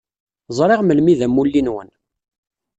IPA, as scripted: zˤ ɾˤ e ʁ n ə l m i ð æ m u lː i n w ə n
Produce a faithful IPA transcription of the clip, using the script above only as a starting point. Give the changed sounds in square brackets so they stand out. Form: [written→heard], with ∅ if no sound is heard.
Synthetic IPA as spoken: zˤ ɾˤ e ʁ [n→m] ə l m i ð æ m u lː i n w ə n